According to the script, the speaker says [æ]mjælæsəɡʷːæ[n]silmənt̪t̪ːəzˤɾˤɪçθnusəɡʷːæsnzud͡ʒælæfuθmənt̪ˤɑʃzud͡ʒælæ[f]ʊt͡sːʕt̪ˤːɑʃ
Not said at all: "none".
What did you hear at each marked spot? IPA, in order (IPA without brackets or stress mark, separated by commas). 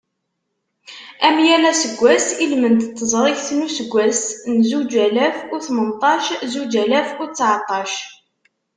æ, none, f